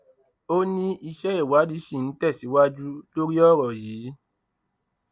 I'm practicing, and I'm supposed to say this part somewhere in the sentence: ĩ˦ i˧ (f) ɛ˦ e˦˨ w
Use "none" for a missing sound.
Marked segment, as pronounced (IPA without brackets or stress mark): ʃ